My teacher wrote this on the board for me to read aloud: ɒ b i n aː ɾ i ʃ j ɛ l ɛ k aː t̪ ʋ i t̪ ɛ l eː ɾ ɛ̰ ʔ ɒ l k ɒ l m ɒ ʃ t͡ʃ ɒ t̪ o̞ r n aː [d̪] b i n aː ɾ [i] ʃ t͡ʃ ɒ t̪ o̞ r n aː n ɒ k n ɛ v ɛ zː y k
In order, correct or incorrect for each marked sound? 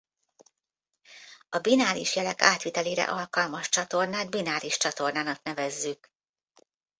correct, correct

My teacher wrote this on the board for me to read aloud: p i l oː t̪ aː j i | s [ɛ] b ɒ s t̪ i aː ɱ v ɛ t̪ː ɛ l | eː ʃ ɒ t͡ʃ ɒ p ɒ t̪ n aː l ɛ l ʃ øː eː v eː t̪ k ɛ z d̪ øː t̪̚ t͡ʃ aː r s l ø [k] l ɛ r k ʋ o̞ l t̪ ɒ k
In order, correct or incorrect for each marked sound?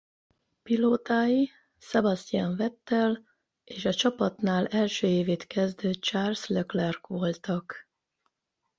correct, correct

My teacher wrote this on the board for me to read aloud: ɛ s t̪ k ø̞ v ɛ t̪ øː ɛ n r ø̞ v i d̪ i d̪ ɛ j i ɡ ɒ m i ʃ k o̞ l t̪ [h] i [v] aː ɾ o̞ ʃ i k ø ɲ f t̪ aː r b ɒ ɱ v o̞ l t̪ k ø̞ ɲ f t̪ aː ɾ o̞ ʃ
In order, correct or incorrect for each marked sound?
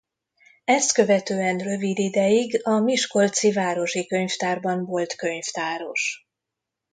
incorrect: s, correct

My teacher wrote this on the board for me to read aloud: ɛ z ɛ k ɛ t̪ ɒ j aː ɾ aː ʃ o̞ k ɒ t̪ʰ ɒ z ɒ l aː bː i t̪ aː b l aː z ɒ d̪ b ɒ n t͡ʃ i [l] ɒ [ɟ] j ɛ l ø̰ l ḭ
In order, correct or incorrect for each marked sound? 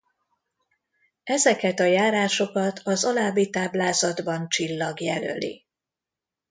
incorrect: lː, incorrect: ɡ

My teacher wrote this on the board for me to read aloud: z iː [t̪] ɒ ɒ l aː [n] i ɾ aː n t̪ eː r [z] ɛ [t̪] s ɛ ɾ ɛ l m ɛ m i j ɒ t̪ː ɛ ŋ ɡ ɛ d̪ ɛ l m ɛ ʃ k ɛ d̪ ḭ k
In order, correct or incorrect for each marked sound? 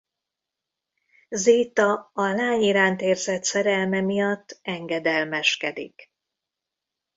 correct, incorrect: ɲ, correct, correct

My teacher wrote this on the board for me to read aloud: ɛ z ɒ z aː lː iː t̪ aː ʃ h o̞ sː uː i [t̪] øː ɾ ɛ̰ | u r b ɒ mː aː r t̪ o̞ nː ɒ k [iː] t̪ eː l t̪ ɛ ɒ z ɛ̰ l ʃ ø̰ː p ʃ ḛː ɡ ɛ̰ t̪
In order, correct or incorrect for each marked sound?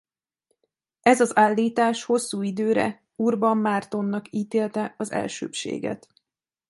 incorrect: d̪, correct

